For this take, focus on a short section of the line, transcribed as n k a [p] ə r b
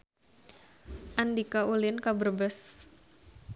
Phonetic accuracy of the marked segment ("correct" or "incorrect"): incorrect